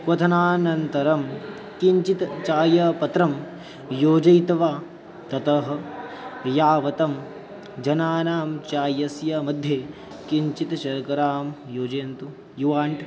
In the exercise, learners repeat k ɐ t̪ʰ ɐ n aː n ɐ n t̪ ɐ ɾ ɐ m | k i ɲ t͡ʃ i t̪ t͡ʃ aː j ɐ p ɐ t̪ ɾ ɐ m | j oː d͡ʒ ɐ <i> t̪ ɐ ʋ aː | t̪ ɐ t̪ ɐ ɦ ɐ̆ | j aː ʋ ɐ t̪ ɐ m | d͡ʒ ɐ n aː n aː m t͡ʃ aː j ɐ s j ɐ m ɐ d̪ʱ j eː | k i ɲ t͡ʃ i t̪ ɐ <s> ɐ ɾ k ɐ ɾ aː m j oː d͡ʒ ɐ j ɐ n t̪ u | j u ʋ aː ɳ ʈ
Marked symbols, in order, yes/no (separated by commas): no, no